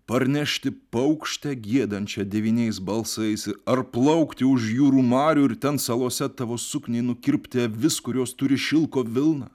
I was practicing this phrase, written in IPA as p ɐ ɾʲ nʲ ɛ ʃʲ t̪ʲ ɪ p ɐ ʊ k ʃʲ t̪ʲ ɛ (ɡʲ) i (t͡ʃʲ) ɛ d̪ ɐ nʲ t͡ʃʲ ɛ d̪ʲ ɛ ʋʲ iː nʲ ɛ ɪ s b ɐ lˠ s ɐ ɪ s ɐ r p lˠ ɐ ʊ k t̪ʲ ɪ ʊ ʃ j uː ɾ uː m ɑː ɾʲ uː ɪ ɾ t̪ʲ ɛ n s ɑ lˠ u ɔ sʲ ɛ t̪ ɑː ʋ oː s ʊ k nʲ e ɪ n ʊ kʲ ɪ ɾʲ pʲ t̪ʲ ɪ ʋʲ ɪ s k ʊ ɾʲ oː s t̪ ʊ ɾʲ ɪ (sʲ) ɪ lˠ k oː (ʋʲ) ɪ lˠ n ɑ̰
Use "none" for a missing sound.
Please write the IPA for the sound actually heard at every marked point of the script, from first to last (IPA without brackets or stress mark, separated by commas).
ɡʲ, none, ʃʲ, ʋʲ